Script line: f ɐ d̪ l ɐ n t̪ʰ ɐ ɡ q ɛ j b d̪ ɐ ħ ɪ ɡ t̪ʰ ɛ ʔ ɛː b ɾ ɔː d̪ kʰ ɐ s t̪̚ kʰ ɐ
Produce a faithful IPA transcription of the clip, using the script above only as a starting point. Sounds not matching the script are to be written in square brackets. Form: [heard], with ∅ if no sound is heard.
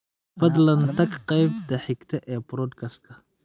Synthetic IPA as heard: f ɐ d̪ l ɐ n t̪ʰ ɐ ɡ q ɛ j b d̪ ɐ ħ ɪ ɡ t̪ʰ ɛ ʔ ɛː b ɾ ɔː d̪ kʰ ɐ s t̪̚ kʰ ɐ